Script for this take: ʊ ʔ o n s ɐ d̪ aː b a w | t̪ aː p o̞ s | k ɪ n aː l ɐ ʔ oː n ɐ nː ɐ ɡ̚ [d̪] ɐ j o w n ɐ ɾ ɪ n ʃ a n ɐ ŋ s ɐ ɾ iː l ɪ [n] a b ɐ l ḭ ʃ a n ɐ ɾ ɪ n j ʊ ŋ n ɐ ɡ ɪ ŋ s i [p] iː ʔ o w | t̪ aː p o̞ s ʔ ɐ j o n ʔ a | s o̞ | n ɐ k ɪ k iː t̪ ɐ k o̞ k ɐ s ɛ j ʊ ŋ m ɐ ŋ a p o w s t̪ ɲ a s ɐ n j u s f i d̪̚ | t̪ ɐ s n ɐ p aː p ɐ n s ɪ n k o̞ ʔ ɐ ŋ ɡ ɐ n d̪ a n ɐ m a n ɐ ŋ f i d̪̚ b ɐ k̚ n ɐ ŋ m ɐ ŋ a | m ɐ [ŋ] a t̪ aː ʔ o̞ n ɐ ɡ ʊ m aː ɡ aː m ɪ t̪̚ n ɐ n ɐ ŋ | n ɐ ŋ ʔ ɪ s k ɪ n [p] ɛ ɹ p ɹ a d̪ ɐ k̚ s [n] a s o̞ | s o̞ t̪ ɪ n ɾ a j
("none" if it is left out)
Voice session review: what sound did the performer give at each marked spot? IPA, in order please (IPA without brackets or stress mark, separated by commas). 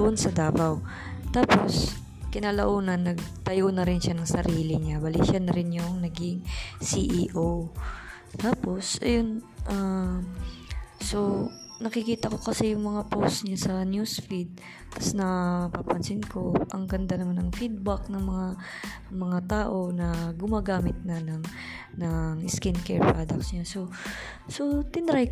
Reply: t̪, ɲ, ʔ, ŋ, k, ɲ